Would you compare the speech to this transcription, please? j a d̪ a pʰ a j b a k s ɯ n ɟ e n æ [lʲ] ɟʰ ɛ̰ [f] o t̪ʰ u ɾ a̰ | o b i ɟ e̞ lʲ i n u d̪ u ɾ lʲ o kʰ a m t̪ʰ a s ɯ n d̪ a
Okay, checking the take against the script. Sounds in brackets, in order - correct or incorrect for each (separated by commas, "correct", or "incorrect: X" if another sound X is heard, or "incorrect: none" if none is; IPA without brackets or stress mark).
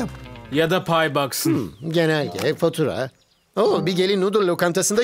correct, correct